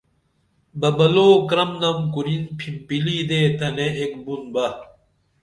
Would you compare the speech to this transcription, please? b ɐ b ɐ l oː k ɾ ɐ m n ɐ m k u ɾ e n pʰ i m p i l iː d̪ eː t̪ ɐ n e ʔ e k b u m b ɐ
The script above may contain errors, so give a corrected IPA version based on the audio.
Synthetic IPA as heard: b ɐ b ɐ l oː k ɾ ɐ m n ɐ m k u ɾ i n pʰ i m p i l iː d̪ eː t̪ ɐ n e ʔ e k b u n b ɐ